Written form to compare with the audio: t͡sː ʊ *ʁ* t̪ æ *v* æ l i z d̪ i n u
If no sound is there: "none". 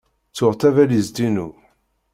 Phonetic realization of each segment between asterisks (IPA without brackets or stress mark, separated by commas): ʁ, v